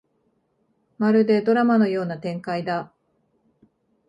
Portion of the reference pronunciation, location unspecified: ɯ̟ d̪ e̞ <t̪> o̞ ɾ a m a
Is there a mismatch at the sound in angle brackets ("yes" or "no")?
yes